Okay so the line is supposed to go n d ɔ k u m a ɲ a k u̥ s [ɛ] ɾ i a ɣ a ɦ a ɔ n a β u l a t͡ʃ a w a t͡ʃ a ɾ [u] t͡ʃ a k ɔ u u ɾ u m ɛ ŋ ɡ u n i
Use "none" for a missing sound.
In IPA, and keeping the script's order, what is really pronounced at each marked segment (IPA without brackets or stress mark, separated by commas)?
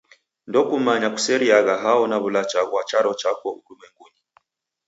ɛ, ɔ